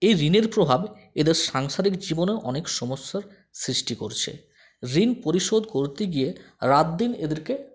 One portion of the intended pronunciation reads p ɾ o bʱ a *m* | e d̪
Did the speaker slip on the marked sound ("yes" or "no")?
yes